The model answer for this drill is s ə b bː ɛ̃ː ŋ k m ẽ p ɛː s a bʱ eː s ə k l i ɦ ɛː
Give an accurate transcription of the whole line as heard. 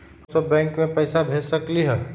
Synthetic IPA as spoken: s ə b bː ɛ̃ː ŋ k m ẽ p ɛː s a bʱ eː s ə k l i ɦ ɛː